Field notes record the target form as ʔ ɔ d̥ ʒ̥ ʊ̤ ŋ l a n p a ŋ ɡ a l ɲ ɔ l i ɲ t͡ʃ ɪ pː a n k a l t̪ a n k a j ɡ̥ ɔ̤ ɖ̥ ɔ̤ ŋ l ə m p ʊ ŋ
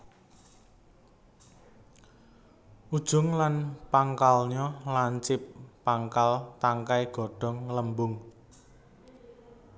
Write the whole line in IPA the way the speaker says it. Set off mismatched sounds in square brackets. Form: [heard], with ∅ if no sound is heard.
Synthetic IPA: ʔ [u] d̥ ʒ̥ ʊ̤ ŋ l a n p a ŋ [k] a l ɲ ɔ l [a] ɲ t͡ʃ ɪ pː a [ŋ] k a l t̪ a [ŋ] k a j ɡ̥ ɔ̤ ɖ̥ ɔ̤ ŋ l ə m [b] ʊ ŋ

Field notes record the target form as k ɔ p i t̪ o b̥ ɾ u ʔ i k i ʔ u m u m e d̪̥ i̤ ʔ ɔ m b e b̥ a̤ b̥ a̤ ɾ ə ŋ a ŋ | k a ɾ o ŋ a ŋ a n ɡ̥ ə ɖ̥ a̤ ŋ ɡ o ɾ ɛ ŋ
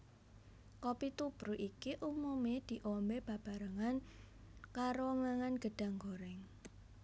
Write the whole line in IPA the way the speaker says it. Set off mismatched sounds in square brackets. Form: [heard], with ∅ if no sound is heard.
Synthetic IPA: k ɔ p i t̪ [u] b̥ ɾ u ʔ i k i ʔ u m u m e d̪̥ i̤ ʔ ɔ m b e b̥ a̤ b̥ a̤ ɾ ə ŋ a [n] | k a ɾ o ŋ a ŋ a n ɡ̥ ə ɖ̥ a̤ ŋ ɡ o ɾ ɛ ŋ

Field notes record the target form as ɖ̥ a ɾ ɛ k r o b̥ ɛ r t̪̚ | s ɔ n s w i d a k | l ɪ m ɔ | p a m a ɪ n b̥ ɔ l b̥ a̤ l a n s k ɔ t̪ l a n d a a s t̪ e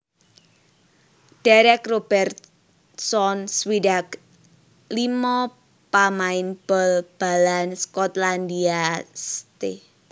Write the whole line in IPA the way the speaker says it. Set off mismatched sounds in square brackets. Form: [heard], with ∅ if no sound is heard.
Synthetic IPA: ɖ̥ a ɾ ɛ k r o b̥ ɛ r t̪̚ | s ɔ n s w i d a k | l [i] m ɔ | p a m a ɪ n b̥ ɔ l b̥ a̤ l a n s k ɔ t̪ l a n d [i] a s t̪ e

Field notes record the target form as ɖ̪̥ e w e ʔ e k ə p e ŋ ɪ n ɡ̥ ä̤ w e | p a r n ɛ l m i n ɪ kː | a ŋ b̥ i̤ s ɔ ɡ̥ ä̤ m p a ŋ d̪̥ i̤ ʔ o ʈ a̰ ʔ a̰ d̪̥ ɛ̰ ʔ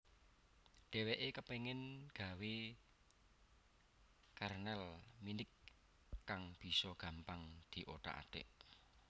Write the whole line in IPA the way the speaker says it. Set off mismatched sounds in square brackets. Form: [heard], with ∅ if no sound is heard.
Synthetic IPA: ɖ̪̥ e w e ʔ e k ə p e ŋ ɪ n ɡ̥ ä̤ w e | [k] a r n ɛ l m i n ɪ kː | a ŋ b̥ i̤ s ɔ ɡ̥ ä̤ m p a ŋ d̪̥ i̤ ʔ o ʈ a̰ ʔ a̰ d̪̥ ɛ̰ ʔ

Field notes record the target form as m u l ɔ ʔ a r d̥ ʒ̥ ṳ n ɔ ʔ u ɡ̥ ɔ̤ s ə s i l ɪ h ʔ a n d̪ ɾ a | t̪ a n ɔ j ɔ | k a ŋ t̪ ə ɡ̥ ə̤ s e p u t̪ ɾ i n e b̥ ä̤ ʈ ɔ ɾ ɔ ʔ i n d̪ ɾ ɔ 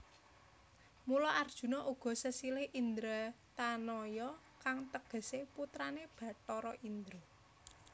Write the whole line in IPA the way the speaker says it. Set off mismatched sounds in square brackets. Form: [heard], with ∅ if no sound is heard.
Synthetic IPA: m u l ɔ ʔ a r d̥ ʒ̥ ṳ n ɔ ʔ u ɡ̥ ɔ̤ s ə s i l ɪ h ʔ [i] n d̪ ɾ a | t̪ a n ɔ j ɔ | k a ŋ t̪ ə ɡ̥ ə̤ s e p u t̪ ɾ [a] n e b̥ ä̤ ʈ ɔ ɾ ɔ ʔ i n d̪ ɾ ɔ

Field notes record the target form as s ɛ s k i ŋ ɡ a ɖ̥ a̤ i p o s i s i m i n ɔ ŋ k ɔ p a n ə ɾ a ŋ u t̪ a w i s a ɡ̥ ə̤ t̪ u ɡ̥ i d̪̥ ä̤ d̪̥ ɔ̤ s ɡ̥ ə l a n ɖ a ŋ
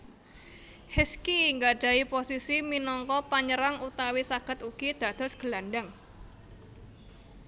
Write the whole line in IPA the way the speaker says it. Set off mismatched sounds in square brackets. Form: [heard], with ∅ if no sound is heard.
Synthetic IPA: [h] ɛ s k i ŋ ɡ a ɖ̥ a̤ i p o s i s i m i n ɔ ŋ k ɔ p a [ɲ] ə ɾ a ŋ u t̪ a w i s a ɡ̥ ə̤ t̪ u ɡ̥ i d̪̥ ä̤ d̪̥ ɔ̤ s ɡ̥ ə l a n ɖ a ŋ

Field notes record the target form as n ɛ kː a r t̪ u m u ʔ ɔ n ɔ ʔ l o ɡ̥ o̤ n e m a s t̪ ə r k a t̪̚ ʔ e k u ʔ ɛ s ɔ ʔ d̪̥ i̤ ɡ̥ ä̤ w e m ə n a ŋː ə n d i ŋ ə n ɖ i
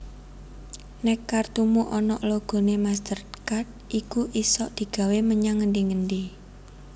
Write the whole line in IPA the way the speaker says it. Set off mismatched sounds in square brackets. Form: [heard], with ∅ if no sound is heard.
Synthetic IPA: n ɛ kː a r t̪ u m u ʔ ɔ n ɔ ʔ l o ɡ̥ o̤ n e m a s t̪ ə r k a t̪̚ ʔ [i] k u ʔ [i] s ɔ ʔ d̪̥ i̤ ɡ̥ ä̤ w e m ə [ɲ] a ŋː ə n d i ŋ ə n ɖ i

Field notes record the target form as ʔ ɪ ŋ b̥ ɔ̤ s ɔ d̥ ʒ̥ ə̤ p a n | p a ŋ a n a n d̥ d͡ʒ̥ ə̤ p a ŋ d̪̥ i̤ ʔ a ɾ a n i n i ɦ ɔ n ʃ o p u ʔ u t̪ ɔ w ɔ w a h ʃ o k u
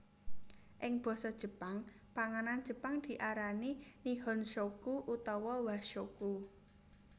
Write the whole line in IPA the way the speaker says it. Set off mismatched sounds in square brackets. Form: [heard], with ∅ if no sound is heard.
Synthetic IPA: ʔ ɪ ŋ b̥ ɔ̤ s ɔ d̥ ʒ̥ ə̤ p a [ŋ] | p a ŋ a n a n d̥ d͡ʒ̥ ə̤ p a ŋ d̪̥ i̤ ʔ a ɾ a n i n i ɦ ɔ n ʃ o [k] u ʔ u t̪ ɔ w ɔ w a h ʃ o k u

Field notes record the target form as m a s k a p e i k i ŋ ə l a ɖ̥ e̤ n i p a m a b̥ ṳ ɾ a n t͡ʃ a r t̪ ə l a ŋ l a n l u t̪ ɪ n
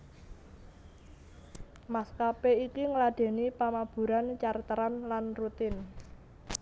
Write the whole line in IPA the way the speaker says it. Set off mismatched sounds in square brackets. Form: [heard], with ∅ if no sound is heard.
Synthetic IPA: m a s k a p e i k i ŋ ə l a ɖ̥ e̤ n i p a m a b̥ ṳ ɾ a n t͡ʃ a r t̪ ə [ɾ] a [n] l a n [r] u t̪ ɪ n

